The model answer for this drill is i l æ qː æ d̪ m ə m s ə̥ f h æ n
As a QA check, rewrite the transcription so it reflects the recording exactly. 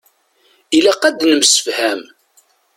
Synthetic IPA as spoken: i l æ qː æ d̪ n ə m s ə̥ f h æ m